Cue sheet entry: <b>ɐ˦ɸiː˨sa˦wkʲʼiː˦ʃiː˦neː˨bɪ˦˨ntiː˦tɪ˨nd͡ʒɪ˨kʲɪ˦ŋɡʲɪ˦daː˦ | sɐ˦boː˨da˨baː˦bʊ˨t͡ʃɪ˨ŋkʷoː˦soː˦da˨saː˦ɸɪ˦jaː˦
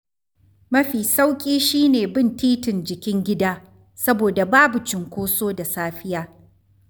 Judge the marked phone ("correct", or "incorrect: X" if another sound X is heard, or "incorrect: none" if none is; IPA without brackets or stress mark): incorrect: m